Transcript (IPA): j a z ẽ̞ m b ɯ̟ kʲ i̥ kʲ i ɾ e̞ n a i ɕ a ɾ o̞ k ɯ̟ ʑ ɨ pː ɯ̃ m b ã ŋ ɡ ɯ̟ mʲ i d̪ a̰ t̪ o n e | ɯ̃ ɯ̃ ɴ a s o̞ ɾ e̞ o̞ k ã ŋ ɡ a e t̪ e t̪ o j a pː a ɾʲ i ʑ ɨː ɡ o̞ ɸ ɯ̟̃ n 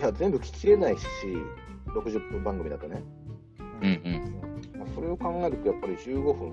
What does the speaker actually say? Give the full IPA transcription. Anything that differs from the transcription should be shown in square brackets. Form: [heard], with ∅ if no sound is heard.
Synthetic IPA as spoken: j a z ẽ̞ m b ɯ̟ kʲ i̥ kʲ i ɾ e̞ n a i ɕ [i] ɾ o̞ k ɯ̟ ʑ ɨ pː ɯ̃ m b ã ŋ ɡ ɯ̟ mʲ i d̪ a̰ t̪ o n e | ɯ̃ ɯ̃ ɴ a s o̞ ɾ e̞ o̞ k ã ŋ ɡ a e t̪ e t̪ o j a pː a ɾʲ i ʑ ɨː ɡ o̞ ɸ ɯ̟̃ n